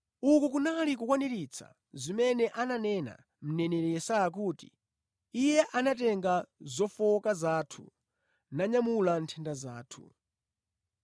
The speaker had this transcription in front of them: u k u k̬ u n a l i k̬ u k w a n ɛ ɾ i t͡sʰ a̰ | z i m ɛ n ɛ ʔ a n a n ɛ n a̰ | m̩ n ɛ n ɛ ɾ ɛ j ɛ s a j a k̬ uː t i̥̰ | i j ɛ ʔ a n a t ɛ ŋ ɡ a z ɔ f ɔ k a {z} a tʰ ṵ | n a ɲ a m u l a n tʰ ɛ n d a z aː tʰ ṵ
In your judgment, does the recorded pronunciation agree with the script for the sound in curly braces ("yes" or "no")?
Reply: yes